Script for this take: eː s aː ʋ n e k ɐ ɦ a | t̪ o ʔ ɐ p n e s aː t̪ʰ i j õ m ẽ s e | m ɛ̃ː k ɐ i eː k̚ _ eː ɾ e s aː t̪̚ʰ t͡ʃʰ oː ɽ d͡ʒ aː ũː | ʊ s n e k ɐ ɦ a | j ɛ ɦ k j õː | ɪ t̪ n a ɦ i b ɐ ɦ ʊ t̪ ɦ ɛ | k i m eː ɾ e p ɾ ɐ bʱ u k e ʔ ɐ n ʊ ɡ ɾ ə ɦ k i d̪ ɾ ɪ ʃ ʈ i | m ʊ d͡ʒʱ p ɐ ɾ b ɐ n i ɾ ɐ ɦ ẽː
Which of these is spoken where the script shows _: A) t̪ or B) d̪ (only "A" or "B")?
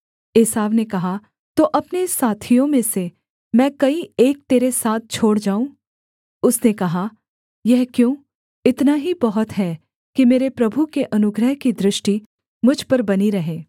A